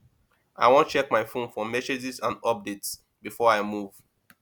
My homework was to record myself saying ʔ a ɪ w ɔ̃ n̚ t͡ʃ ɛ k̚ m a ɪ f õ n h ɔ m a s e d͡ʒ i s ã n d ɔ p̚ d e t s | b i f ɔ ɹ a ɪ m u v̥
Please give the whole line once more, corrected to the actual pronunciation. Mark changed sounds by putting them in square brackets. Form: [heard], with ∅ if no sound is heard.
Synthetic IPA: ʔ a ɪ w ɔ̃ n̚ t͡ʃ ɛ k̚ m a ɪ f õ n [f] ɔ m [ɛ] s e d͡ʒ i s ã n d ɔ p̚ d e t s | b i f ɔ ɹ a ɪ m u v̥

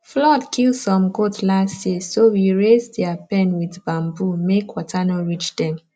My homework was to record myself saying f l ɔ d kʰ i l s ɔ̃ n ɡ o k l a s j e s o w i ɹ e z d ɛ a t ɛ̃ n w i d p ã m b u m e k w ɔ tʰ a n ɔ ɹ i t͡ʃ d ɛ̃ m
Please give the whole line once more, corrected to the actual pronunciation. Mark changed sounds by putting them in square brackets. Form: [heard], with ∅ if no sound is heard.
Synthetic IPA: f l ɔ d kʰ i l s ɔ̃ [m] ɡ o [t] l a s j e s o w i ɹ e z d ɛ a [p] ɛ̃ n w i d [b] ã m b u m e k w ɔ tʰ a n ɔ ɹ i t͡ʃ d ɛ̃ m

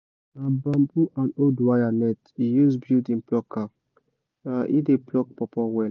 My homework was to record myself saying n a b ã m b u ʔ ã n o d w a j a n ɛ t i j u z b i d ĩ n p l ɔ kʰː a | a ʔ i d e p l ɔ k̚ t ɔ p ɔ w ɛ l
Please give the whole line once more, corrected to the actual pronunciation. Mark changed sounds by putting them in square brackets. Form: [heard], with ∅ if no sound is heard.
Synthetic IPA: n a b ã m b u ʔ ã n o d w a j a n ɛ t i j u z b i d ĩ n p l ɔ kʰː a | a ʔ i d e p l ɔ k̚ [p] ɔ p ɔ w ɛ l

